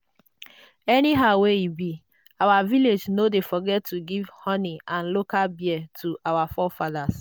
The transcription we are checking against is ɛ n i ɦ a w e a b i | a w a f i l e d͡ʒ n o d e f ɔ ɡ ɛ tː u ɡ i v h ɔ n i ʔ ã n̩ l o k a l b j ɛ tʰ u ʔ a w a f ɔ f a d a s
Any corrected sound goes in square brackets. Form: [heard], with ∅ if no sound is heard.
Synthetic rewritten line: ɛ n i ɦ a w e [i] b i | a w a [v] i l e d͡ʒ n o d e f ɔ ɡ ɛ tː u ɡ i v h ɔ n i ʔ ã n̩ l o k a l b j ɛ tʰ u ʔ a w a f ɔ f a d a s